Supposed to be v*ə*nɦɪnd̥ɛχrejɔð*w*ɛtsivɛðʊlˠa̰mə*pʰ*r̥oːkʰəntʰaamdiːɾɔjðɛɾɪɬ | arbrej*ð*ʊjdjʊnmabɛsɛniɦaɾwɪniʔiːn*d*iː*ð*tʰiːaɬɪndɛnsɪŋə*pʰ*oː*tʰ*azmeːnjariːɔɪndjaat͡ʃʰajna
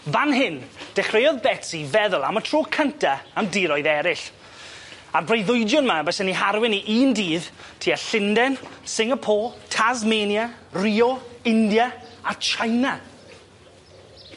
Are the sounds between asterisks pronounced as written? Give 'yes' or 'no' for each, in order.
no, no, no, yes, yes, yes, yes, yes

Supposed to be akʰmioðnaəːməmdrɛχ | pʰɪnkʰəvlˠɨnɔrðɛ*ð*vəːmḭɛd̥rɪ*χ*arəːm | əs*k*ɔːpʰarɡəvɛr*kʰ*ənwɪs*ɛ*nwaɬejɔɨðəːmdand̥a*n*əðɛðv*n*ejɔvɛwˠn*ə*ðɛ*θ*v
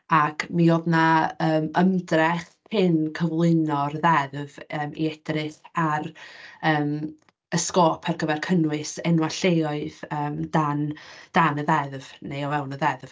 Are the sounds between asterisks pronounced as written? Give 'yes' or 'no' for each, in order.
yes, no, yes, yes, yes, yes, yes, yes, no

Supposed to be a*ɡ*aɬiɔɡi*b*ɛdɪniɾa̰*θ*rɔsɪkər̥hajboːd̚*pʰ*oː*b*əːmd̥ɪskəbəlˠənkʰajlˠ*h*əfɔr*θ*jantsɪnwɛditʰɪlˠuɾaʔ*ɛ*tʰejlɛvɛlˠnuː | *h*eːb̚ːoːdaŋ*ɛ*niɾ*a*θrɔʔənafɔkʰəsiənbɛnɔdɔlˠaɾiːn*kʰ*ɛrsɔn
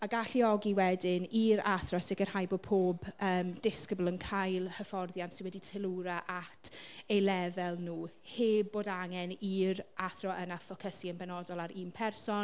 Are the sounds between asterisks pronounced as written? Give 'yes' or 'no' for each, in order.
yes, no, yes, yes, yes, yes, no, no, yes, yes, yes, no

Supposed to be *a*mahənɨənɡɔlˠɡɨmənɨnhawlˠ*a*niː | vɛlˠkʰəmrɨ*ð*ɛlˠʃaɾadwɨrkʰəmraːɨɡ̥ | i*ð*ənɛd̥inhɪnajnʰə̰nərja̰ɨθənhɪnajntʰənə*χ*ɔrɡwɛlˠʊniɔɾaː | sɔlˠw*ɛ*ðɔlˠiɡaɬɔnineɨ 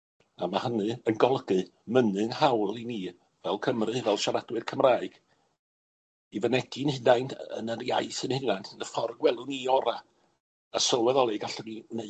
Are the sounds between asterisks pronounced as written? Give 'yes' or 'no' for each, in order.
yes, no, no, no, no, yes

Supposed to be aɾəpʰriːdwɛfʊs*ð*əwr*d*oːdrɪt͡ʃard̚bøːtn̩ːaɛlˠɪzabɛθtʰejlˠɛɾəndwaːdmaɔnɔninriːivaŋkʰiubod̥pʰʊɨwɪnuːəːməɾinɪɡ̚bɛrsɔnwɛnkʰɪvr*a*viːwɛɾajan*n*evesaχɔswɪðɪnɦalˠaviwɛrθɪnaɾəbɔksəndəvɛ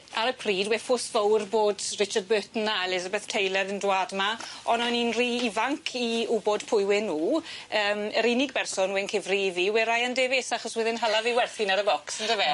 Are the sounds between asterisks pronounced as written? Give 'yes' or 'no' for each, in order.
no, no, no, no

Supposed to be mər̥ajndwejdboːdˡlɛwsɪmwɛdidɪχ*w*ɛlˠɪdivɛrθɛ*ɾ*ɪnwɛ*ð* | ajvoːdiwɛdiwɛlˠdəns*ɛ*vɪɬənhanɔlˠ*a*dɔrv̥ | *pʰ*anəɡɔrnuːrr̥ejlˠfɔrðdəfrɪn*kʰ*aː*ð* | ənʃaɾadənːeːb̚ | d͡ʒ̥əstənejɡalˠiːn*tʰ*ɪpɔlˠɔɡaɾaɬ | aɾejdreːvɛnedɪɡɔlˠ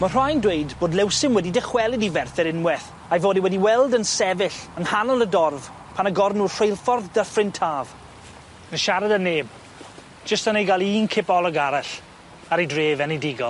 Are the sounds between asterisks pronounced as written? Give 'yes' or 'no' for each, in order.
yes, yes, no, yes, no, yes, no, no, no

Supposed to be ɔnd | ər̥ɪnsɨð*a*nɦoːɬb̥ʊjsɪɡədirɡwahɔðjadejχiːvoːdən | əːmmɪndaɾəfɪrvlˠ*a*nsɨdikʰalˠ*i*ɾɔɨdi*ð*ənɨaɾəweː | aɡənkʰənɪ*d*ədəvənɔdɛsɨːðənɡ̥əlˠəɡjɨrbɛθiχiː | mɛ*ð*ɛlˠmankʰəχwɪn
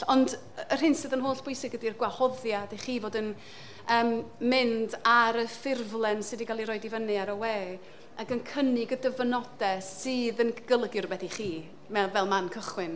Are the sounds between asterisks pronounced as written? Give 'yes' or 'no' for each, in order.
no, no, yes, no, no, no

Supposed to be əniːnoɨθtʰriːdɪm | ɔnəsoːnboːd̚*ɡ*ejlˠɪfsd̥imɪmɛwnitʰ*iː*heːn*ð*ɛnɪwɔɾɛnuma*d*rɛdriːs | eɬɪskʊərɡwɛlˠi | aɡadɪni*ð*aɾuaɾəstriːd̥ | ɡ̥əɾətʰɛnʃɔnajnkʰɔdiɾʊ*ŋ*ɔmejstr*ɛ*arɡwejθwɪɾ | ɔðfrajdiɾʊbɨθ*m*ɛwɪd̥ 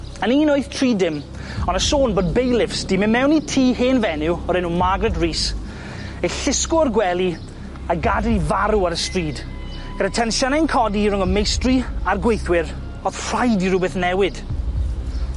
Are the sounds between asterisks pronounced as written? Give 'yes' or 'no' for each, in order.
no, yes, no, no, no, yes, no, no

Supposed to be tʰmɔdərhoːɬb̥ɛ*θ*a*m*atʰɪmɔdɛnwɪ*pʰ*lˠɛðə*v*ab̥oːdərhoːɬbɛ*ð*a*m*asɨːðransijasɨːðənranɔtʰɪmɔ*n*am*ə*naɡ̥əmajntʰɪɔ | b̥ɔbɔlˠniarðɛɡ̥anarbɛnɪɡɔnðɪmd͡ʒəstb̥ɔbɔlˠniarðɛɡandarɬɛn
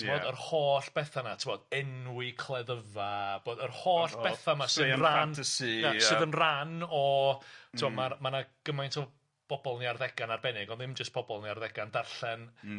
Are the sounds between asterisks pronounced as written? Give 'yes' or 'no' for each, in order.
yes, no, no, yes, no, yes, no, no

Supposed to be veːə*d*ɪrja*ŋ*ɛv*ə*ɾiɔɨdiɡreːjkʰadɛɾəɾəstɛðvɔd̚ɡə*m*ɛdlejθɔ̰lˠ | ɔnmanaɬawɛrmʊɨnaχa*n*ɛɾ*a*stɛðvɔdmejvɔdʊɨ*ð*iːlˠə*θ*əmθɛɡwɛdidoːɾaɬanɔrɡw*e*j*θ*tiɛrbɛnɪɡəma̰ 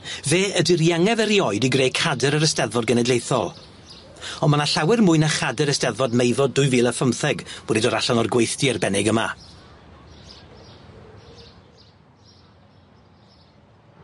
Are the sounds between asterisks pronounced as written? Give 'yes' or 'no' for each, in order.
yes, yes, yes, no, no, no, no, no, yes, yes

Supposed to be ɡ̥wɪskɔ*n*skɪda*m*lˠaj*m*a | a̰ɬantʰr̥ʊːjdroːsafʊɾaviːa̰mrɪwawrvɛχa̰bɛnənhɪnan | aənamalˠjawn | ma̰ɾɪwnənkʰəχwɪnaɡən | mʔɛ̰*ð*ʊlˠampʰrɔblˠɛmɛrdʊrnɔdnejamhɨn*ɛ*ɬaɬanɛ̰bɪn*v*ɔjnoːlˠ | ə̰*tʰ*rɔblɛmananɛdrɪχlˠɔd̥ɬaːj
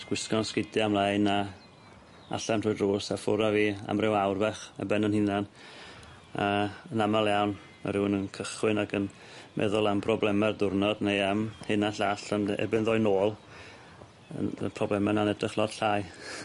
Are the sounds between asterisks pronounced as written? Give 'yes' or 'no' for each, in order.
yes, yes, no, yes, no, no, no

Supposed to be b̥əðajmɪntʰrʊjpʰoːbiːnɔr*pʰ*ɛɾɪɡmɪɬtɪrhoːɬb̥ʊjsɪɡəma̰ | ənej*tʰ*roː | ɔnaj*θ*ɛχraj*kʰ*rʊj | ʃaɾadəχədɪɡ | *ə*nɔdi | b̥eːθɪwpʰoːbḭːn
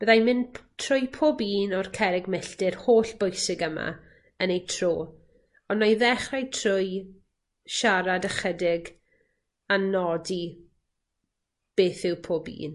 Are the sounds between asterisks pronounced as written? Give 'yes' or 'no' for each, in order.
no, yes, no, no, no

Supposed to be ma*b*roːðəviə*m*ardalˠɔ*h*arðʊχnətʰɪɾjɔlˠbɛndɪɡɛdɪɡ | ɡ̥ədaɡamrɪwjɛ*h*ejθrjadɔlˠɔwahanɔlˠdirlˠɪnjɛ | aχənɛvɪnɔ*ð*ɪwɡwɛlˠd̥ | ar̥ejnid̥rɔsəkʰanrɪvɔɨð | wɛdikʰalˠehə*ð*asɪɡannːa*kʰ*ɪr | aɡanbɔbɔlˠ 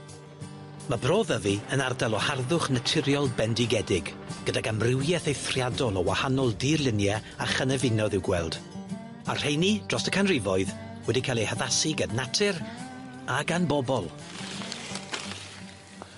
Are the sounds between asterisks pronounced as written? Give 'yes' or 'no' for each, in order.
yes, no, yes, no, yes, yes, no

